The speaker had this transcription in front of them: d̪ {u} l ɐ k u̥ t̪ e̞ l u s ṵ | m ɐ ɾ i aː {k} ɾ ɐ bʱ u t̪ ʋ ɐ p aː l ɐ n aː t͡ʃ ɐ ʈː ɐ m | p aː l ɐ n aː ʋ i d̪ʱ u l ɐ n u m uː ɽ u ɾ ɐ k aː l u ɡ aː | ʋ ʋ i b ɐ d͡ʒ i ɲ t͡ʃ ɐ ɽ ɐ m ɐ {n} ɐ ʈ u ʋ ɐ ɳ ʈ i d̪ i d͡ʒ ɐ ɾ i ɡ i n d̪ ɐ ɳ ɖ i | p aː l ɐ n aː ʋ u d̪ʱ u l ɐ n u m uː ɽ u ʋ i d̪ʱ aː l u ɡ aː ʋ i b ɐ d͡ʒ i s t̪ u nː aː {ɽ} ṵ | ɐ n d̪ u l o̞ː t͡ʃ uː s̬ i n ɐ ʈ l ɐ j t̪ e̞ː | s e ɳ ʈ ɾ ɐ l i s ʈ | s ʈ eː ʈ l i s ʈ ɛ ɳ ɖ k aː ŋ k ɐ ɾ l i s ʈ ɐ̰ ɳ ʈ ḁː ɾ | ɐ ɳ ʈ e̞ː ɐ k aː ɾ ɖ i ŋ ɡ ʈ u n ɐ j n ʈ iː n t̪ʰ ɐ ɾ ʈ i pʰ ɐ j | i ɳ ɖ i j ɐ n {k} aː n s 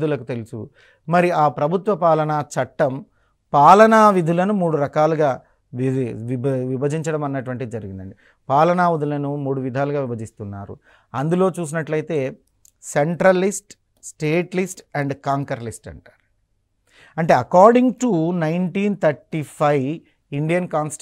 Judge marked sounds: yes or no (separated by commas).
yes, no, no, no, yes